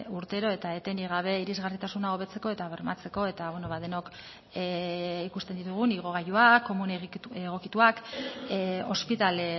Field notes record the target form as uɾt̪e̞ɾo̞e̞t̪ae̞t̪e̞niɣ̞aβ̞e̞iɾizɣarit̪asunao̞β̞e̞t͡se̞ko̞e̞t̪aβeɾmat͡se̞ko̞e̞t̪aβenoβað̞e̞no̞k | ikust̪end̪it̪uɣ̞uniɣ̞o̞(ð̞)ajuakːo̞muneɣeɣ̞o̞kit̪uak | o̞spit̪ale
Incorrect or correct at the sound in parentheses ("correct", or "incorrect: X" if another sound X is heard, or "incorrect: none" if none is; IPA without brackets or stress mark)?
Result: incorrect: ɣ̞